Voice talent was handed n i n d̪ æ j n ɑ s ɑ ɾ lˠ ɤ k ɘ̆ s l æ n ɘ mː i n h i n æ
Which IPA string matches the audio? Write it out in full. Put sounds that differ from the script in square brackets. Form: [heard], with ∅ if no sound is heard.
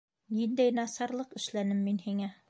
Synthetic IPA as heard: n i n d̪ æ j n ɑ s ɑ ɾ lˠ ɤ [q] ɘ̆ [ʃ] l æ n ɘ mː i n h i [ŋ] æ